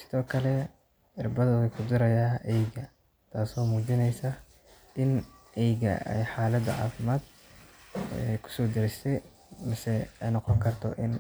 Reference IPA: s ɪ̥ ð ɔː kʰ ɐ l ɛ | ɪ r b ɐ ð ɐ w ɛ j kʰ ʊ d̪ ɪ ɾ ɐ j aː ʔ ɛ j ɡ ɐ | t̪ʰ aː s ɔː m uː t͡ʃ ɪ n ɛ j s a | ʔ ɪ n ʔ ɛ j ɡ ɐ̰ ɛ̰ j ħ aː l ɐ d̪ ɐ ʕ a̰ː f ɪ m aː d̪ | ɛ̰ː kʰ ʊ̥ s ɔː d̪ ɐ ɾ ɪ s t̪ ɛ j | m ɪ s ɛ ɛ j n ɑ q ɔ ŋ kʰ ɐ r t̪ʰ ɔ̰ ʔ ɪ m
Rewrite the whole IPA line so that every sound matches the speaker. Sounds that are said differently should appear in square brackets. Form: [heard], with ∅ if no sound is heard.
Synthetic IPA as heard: s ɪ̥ ð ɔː kʰ ɐ l ɛ | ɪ r b ɐ ð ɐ w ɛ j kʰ ʊ d̪ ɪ ɾ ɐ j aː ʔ ɛ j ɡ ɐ | t̪ʰ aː s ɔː m uː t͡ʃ ɪ n ɛ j s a | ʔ ɪ n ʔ ɛ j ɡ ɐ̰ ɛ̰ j ħ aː l ɐ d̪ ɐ ʕ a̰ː f ɪ m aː d̪ | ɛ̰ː kʰ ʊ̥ s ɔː d̪ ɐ ɾ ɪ s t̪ ɛ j | m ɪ s ɛ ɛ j n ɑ q ɔ ŋ kʰ ɐ r t̪ʰ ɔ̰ ʔ ɪ [n]

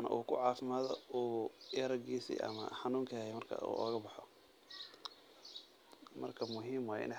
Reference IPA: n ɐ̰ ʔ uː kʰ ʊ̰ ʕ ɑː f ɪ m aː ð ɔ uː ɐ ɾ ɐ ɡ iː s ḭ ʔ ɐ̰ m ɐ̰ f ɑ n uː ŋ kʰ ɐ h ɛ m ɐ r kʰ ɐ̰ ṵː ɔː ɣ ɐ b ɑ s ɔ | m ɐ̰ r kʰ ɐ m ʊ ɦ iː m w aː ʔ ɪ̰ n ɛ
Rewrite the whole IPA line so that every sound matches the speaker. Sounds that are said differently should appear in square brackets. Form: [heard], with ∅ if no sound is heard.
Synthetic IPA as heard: n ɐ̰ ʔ uː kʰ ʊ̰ ʕ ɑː f ɪ m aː ð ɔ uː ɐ ɾ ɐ ɡ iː s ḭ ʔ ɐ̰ m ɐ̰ [ħ] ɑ n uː ŋ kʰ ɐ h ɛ m ɐ r kʰ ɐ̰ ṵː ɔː ɣ ɐ b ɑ [ħ] ɔ | m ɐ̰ r kʰ ɐ m ʊ ɦ iː m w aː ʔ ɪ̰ n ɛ

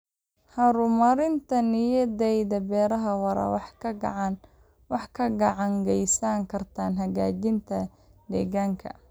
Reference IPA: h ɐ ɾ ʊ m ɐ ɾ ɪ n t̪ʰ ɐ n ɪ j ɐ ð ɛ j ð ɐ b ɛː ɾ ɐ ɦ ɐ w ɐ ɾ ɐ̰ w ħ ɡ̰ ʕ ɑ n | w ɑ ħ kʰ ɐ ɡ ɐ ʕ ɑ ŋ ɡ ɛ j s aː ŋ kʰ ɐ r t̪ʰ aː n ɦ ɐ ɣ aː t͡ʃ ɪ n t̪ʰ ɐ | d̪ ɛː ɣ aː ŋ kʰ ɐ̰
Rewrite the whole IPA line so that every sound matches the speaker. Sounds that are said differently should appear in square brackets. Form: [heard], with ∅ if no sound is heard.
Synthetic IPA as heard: h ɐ ɾ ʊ m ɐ ɾ ɪ n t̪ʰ ɐ n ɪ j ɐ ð ɛ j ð ɐ b ɛː ɾ ɐ ɦ ɐ w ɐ ɾ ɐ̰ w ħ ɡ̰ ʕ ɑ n | w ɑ ħ kʰ ɐ ɡ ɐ ʕ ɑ ŋ ɡ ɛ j s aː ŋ kʰ ɐ r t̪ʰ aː n ɦ ɐ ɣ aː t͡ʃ ɪ n t̪ʰ ɐ | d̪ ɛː ɣ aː ŋ kʰ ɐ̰

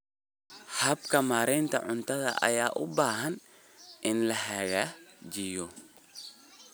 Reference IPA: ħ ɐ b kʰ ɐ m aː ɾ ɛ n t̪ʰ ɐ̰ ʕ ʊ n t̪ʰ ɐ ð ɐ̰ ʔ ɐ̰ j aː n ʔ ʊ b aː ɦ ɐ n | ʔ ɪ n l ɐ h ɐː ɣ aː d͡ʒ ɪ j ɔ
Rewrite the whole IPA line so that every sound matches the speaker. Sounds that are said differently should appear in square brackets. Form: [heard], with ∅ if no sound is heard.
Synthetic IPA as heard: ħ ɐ b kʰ ɐ m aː ɾ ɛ n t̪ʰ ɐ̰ ʕ ʊ n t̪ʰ ɐ ð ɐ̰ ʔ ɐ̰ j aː [∅] ʔ ʊ b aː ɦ ɐ n | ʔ ɪ n l ɐ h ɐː ɣ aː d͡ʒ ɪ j ɔ

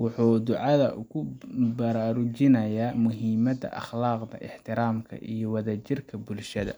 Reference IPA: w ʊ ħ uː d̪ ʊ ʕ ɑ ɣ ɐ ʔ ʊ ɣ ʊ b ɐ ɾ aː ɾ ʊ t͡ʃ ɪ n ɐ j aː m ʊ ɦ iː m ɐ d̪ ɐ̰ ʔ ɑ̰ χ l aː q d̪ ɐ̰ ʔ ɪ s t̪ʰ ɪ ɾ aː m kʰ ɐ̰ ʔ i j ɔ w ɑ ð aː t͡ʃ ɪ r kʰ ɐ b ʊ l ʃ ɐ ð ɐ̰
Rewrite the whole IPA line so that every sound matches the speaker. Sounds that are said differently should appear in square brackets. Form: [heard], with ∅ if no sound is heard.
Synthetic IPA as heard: w ʊ ħ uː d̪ ʊ ʕ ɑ [ð] ɐ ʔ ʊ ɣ ʊ b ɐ ɾ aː ɾ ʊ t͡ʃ ɪ n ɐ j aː m ʊ ɦ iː m ɐ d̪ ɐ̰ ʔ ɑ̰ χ l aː q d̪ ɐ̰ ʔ ɪ [ħ] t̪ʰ ɪ ɾ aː m kʰ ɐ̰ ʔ i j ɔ w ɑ ð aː t͡ʃ ɪ r kʰ ɐ b ʊ l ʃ ɐ ð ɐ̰

